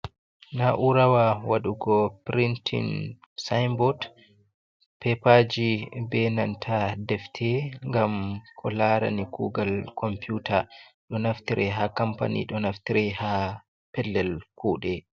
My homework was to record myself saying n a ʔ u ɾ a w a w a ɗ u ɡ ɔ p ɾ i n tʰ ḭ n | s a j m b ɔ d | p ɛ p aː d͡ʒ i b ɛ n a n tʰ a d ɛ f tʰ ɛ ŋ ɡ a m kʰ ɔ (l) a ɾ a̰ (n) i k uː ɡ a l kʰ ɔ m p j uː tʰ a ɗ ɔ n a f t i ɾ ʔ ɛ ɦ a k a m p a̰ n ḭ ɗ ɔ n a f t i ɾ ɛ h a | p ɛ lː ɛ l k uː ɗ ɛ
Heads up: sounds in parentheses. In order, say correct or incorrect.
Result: correct, correct

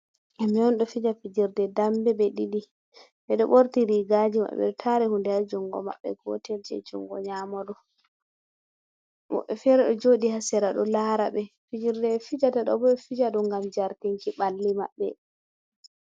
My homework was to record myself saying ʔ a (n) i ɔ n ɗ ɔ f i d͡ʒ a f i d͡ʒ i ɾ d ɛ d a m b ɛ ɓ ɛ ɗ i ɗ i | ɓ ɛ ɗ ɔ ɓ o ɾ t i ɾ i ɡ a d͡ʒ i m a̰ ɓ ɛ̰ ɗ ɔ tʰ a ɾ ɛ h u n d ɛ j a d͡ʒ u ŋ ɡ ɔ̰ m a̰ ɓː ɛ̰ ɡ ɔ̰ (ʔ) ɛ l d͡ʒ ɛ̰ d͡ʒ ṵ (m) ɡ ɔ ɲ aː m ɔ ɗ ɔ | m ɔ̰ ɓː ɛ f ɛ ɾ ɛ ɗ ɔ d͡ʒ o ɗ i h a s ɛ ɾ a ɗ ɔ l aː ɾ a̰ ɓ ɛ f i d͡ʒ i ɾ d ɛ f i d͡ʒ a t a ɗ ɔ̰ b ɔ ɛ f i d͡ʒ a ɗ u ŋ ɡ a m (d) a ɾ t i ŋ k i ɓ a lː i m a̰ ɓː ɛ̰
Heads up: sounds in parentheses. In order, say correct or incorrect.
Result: incorrect: m, incorrect: t, incorrect: ŋ, incorrect: d͡ʒ

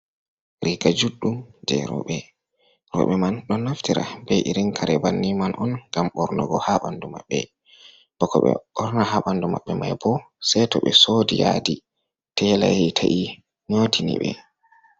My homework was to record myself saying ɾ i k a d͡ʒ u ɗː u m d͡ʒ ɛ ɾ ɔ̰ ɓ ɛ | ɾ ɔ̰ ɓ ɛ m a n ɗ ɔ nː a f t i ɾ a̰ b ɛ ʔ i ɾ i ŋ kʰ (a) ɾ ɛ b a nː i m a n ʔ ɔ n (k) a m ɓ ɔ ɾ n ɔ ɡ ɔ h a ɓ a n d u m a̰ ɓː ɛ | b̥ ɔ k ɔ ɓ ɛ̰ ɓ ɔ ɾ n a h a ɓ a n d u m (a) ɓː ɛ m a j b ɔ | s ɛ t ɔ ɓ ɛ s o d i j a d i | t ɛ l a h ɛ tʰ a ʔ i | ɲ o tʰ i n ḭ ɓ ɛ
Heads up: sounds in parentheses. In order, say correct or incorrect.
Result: correct, incorrect: ɡ, correct

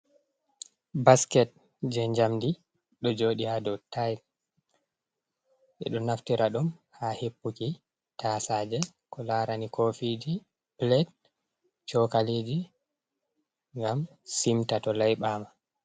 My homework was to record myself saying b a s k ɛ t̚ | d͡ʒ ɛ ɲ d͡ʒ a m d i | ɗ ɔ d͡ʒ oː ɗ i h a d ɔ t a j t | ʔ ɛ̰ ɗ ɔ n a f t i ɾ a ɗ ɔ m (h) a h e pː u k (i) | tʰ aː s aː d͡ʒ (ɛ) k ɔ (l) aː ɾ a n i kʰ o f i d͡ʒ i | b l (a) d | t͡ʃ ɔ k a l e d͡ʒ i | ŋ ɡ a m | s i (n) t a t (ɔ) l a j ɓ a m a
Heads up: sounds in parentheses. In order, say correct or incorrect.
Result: correct, correct, correct, correct, incorrect: ɛ, incorrect: m, correct

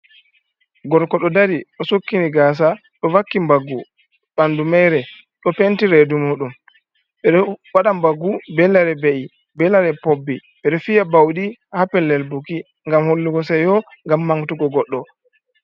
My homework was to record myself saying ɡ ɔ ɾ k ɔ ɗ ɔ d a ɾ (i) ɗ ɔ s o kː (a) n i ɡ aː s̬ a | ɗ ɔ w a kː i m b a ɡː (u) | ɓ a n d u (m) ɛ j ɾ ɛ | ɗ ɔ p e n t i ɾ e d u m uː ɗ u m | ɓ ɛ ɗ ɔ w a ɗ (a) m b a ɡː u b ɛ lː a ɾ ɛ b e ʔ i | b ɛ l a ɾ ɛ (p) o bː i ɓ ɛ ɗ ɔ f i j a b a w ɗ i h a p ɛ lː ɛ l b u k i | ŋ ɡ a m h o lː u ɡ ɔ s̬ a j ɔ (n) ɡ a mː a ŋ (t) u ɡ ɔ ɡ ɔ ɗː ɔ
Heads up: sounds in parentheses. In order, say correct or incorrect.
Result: correct, incorrect: i, correct, correct, correct, correct, incorrect: ŋ, correct

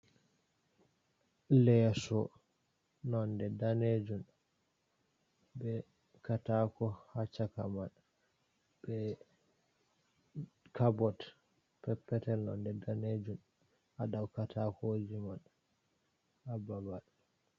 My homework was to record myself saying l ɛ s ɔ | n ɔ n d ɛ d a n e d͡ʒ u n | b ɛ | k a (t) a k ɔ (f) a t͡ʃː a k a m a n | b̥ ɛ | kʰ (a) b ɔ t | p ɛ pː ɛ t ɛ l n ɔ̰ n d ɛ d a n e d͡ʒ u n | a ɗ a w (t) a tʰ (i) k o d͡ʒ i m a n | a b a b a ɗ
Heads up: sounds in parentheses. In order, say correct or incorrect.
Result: correct, incorrect: h, correct, incorrect: k, incorrect: a

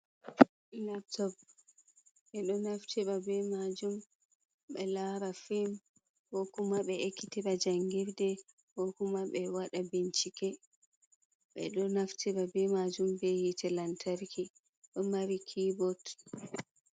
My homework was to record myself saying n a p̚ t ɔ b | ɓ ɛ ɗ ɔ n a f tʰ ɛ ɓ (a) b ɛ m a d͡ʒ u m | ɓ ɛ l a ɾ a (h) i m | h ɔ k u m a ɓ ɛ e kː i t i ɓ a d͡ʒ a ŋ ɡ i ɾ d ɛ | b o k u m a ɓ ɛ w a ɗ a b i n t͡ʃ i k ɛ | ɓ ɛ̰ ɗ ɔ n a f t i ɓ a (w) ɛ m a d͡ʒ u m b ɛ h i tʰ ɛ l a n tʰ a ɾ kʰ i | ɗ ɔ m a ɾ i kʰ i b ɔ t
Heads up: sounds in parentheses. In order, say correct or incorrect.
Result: correct, incorrect: f, incorrect: b

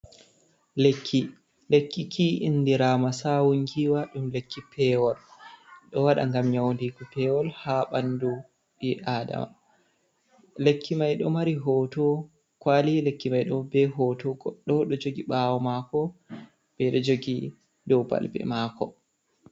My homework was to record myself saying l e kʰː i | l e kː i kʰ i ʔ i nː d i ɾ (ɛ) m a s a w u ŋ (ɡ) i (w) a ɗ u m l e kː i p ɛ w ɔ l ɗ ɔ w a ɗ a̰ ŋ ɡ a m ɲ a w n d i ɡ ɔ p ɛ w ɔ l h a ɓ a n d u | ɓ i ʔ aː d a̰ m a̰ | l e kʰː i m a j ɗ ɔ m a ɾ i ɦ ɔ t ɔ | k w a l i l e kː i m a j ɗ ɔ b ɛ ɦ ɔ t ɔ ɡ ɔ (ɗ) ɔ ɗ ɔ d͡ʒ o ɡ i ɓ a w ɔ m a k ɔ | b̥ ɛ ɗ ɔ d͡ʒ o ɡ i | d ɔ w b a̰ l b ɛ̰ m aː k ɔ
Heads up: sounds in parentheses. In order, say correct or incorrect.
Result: incorrect: a, correct, correct, incorrect: ɗː

